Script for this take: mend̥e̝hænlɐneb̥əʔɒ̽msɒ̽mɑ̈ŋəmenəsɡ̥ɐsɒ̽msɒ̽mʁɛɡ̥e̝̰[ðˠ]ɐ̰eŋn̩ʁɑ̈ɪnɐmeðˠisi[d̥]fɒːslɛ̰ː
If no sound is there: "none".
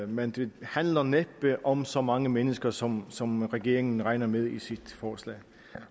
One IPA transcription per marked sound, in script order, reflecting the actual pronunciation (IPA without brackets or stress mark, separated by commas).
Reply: none, d̥